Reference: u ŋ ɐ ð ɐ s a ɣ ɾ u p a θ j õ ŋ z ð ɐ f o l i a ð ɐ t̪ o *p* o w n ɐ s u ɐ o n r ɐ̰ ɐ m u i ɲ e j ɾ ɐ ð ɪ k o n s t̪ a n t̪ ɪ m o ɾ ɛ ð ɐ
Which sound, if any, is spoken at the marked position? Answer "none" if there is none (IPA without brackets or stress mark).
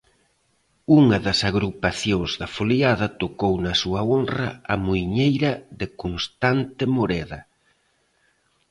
k